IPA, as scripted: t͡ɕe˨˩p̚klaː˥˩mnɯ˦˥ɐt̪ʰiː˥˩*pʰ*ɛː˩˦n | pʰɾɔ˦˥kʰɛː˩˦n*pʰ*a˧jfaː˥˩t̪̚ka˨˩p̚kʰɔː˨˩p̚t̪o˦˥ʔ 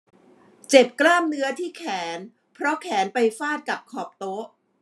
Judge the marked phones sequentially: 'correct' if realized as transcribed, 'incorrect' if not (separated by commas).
incorrect, incorrect